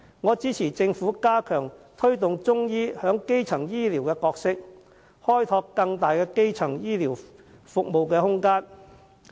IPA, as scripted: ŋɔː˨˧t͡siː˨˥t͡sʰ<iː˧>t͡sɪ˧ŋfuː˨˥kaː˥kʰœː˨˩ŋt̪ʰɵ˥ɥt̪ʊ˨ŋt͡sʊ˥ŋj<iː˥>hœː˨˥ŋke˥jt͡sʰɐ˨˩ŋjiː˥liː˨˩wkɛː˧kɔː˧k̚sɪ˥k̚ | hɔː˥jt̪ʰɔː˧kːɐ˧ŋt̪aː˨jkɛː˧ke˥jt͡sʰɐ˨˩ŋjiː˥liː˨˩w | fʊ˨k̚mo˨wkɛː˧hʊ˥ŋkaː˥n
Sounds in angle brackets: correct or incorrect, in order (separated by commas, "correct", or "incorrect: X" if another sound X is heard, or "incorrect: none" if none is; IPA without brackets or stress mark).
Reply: incorrect: iː˨˩, correct